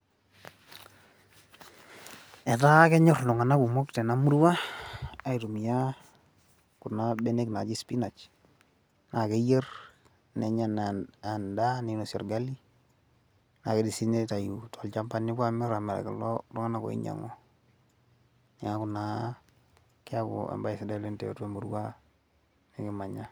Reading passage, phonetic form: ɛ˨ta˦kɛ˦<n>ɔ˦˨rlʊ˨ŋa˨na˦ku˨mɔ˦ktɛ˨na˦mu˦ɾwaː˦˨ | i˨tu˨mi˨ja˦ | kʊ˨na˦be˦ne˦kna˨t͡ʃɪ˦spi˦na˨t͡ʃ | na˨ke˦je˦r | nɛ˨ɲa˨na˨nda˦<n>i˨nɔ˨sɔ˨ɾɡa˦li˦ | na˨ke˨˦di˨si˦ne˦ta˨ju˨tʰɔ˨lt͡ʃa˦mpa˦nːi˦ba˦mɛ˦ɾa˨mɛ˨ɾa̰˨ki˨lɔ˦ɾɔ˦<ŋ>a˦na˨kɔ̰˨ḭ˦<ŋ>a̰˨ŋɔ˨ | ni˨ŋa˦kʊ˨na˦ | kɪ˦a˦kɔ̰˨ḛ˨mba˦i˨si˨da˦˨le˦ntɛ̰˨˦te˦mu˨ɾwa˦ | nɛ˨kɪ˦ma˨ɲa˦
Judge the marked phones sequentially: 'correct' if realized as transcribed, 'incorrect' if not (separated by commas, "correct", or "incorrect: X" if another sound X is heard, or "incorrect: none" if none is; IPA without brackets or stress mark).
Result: incorrect: ɲ, correct, correct, incorrect: ɲ